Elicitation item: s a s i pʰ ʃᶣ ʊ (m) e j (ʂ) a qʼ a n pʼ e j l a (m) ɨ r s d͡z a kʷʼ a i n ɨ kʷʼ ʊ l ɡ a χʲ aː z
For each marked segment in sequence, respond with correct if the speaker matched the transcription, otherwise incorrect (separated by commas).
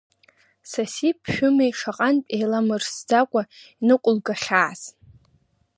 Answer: correct, correct, correct